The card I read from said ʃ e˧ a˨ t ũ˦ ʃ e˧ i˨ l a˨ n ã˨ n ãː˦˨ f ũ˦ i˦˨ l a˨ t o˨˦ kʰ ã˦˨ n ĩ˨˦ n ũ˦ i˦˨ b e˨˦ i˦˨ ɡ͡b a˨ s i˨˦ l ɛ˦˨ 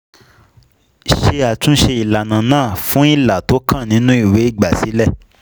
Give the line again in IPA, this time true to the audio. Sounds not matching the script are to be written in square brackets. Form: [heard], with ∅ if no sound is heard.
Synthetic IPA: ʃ e˧ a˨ t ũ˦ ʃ e˧ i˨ l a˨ n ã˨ n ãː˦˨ f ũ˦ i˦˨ l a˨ t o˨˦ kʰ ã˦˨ n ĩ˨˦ n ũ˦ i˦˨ [w] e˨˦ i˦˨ ɡ͡b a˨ s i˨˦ l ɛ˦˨